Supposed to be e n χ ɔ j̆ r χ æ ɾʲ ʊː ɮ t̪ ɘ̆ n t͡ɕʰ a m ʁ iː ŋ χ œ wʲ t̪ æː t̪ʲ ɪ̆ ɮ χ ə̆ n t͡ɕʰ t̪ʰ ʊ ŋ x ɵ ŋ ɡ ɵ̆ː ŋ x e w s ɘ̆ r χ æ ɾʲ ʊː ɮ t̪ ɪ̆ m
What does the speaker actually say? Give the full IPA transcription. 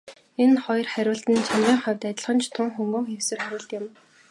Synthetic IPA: e n χ ɔ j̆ r χ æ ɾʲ ʊː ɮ t̪ ɘ̆ n t͡ɕʰ a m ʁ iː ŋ χ œ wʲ t̪ æ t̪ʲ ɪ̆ ɮ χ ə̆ n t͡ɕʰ t̪ʰ ʊ ŋ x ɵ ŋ ɡ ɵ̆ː ŋ x e w s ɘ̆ r χ æ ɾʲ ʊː ɮ t̪ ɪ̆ m